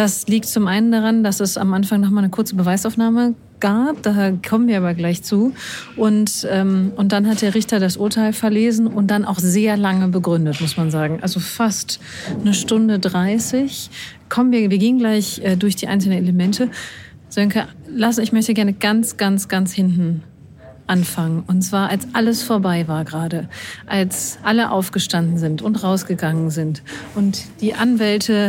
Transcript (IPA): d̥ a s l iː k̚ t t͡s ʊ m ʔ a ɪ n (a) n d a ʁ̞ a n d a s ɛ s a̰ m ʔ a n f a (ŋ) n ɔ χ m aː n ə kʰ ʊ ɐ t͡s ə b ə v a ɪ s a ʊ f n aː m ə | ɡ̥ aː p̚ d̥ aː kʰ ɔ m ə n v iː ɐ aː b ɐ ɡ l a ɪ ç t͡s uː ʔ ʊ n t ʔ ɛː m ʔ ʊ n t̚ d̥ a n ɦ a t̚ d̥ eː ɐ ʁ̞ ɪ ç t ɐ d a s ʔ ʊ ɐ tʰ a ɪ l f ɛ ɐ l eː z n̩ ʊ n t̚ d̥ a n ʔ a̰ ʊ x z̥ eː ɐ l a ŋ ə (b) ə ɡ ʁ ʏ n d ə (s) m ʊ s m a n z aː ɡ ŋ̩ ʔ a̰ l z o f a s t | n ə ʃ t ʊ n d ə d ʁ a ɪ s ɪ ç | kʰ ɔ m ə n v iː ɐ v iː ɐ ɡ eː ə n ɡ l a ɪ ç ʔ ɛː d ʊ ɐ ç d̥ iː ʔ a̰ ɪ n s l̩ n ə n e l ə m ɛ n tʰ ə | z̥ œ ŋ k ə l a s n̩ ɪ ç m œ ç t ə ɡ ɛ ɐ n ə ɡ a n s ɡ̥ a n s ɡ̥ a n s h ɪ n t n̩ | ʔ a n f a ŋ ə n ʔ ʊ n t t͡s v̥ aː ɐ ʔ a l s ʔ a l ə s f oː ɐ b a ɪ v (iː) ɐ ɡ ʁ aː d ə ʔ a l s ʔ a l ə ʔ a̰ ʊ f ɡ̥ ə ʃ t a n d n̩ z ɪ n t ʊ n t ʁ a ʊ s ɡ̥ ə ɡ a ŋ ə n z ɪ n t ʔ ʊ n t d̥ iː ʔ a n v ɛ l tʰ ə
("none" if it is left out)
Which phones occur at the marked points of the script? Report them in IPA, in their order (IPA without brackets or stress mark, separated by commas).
ə, ŋ, b, t, aː